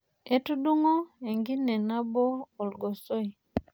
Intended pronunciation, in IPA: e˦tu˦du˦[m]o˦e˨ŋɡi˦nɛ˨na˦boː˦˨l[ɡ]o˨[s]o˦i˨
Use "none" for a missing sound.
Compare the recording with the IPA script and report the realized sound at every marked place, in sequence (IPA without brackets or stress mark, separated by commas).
ŋ, ɡ, s